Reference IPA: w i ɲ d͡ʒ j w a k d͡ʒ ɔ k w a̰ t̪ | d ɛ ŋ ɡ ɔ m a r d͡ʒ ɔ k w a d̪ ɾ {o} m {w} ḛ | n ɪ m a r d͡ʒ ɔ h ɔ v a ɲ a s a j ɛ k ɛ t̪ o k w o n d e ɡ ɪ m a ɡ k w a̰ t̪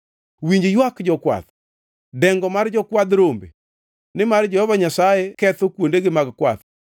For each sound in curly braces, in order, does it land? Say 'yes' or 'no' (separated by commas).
yes, no